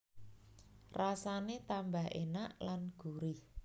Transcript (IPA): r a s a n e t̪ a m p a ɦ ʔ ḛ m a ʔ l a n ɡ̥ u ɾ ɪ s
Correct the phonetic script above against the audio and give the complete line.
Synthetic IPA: r a s a n e t̪ a m b a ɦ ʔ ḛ n a ʔ l a n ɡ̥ u ɾ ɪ h